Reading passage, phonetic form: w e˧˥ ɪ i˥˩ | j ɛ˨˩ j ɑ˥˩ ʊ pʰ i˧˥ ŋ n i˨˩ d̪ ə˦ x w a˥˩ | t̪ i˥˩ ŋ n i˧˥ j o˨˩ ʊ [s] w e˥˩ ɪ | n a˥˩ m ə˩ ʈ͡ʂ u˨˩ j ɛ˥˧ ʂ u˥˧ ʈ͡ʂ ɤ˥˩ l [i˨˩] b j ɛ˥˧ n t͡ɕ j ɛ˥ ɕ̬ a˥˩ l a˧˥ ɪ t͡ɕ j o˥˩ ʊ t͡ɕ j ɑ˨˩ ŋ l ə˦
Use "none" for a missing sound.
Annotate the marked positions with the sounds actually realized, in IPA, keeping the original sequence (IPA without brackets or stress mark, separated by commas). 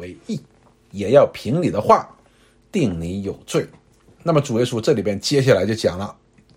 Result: t͡s, i˨˩